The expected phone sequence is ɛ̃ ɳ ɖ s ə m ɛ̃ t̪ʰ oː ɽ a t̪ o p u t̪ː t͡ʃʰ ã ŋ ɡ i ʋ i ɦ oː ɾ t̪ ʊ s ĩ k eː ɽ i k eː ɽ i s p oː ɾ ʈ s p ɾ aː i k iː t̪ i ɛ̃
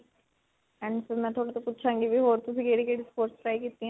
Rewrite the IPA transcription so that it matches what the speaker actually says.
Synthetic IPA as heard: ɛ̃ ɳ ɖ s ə m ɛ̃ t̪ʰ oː ɽ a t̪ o p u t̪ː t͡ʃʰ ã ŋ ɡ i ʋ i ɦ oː ɾ t̪ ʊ s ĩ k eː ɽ i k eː ɽ i s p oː ɾ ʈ s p ɾ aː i k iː t̪ i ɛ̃